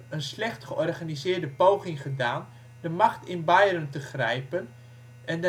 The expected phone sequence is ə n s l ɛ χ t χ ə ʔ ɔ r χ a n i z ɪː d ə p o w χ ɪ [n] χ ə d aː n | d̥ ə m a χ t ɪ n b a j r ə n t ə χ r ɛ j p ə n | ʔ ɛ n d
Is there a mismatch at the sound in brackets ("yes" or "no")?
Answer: yes